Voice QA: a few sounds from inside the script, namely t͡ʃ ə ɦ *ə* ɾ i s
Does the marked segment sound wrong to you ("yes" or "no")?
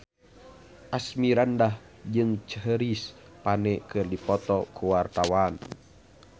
no